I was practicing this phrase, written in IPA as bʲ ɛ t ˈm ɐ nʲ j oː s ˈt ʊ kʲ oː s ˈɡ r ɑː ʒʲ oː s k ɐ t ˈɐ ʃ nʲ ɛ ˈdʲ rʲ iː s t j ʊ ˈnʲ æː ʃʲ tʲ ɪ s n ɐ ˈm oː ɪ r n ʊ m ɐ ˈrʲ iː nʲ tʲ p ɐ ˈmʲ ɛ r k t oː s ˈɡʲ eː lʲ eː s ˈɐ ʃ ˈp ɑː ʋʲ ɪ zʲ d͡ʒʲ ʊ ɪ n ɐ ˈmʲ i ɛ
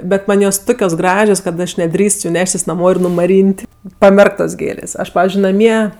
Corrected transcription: bʲ ɛ t ˈm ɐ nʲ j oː s ˈt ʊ kʲ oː s ˈɡ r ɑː ʒʲ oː s k ɐ t ˈɐ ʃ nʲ ɛ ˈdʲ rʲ iː s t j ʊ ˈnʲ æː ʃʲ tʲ ɪ s n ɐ ˈm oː ɪ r n ʊ m ɐ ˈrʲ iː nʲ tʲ p ɐ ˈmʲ ɛ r k t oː s ˈɡʲ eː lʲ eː s ˈɐ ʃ ˈp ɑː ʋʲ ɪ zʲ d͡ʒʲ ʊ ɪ n ɐ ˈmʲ i ɛ

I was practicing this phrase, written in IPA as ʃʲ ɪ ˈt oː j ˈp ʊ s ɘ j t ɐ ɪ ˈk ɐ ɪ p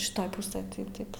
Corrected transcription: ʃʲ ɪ ˈt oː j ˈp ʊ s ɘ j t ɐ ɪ ˈt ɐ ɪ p

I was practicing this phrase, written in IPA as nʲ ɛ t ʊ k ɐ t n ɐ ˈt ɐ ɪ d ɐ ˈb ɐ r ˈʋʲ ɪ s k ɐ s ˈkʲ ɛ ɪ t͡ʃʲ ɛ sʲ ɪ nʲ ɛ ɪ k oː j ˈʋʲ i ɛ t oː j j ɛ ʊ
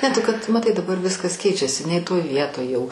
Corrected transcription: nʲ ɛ t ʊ k ɐ t m ɐ ˈt ɐ ɪ d ɐ ˈb ɐ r ˈʋʲ ɪ s k ɐ s ˈkʲ ɛ ɪ t͡ʃʲ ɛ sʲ ɪ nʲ ɛ ɪ t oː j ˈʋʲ i ɛ t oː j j ɛ ʊ

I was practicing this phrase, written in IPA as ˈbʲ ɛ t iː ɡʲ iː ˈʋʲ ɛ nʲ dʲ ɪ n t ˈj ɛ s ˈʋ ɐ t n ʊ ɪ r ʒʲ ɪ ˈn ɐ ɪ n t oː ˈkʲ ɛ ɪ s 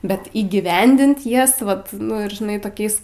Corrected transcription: ˈbʲ ɛ t iː ɡʲ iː ˈʋʲ ɛ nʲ dʲ ɪ n t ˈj ɛ s ˈʋ ɐ t n ʊ ɪ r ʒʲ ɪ ˈn ɐ ɪ t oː ˈkʲ ɛ ɪ s

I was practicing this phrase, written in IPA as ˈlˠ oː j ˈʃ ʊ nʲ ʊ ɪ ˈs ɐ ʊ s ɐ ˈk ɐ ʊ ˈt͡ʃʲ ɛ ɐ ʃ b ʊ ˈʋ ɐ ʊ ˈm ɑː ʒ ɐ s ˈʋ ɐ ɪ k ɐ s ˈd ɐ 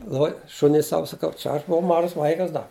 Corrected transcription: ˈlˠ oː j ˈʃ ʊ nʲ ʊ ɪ ˈs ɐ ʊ s ɐ ˈk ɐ ʊ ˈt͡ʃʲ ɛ ɐ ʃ b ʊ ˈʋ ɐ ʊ ˈm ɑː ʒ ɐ s ˈʋ ɐ ɪ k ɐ s ˈd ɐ

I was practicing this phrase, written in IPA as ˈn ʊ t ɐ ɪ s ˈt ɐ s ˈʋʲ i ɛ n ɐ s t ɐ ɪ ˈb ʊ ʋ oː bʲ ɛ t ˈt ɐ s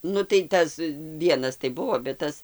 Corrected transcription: ˈn ʊ t ɐ ɪ ˈt ɐ s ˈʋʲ i ɛ n ɐ s t ɐ ɪ ˈb ʊ ʋ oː bʲ ɛ t ˈt ɐ s

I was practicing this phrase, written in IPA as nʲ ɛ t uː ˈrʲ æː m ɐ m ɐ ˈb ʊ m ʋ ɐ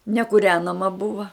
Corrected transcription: nʲ ɛ k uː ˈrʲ æː n ɐ m ɐ ˈb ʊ ʋ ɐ

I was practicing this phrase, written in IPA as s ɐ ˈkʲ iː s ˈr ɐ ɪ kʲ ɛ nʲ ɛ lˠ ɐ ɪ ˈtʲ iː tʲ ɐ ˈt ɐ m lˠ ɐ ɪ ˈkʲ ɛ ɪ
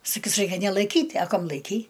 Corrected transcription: s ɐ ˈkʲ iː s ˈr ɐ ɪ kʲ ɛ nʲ ɛ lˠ ɐ ɪ ˈkʲ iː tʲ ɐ ˈk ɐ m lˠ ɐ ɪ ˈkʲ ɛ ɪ

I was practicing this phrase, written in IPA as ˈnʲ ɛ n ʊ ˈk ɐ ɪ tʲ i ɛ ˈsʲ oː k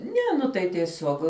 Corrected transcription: ˈnʲ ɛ n ʊ ˈt ɐ ɪ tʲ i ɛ ˈsʲ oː k

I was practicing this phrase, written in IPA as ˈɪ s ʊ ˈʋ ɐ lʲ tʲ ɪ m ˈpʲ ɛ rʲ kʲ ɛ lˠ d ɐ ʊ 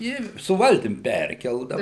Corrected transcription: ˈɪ s ʊ ˈʋ ɐ lʲ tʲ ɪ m ˈpʲ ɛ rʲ kʲ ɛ lˠ d ɐ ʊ

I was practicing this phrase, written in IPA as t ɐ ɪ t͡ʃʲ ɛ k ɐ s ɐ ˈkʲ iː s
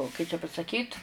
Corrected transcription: k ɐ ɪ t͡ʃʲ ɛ p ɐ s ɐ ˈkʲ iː t

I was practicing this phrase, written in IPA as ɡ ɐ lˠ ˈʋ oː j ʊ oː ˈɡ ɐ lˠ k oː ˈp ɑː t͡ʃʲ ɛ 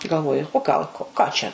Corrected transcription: ɡ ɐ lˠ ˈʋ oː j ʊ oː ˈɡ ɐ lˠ k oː ˈk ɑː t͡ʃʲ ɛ

